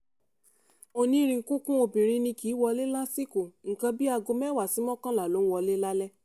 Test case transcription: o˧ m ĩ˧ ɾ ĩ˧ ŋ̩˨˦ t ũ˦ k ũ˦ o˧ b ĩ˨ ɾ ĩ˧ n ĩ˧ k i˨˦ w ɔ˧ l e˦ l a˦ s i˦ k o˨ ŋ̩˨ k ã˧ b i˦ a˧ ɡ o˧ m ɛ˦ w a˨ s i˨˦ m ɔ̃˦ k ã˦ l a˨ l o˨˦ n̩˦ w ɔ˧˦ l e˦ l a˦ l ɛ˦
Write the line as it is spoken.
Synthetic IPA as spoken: o˧ n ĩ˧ ɾ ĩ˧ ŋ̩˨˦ k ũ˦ k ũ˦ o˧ b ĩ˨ ɾ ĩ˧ n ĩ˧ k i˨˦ w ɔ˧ l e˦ l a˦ s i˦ k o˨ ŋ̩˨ k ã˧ b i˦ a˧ ɡ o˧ m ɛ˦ w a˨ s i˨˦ m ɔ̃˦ k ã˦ l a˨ l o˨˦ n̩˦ w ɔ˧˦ l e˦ l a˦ l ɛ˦